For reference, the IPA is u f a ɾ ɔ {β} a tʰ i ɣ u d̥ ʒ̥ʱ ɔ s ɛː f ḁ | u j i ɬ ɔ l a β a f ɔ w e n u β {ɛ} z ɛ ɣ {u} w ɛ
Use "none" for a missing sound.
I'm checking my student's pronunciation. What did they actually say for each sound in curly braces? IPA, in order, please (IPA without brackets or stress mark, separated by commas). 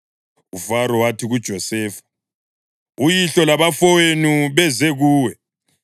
w, ɛ, uː